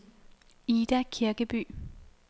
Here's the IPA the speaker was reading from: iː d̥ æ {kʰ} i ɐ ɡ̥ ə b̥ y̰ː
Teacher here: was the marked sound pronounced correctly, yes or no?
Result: yes